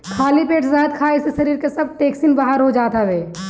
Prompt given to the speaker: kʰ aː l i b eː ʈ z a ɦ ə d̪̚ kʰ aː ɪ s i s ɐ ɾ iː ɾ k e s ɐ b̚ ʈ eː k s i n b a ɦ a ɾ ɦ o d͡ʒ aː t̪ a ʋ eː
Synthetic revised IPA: kʰ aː l i p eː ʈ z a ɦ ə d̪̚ kʰ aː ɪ s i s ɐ ɾ iː ɾ k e s ɐ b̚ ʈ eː k s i n b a ɦ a ɾ ɦ o d͡ʒ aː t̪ a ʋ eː